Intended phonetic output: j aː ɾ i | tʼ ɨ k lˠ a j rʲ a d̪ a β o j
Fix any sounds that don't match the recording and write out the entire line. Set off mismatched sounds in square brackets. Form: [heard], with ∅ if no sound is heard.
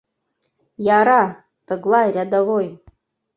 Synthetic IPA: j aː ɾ [a] | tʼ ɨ [ɡ] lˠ a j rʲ a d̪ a [v] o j